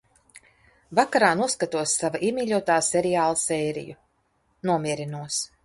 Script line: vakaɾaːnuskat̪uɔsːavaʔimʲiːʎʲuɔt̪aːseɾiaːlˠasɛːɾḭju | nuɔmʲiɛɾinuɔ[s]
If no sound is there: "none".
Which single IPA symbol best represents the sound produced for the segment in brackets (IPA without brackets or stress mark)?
s